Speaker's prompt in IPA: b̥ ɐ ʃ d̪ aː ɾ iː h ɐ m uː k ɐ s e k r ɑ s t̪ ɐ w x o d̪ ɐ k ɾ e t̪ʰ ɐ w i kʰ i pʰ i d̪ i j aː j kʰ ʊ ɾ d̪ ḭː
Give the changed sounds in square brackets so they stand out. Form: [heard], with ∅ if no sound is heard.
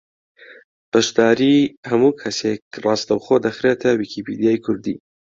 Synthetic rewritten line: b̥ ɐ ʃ d̪ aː ɾ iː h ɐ m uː [kʰ] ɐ s e k r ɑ s t̪ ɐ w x o d̪ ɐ [x] ɾ e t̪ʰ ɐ w i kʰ i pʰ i d̪ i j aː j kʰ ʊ ɾ d̪ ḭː